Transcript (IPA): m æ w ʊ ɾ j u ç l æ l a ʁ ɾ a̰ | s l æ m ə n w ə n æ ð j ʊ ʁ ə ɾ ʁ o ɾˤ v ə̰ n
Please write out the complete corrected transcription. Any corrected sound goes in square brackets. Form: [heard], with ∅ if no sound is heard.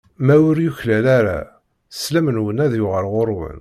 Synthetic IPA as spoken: m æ w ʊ ɾ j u ç l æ l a [∅] ɾ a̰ | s l æ m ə n w ə n æ ð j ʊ ʁ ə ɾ ʁ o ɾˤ [w] ə̰ n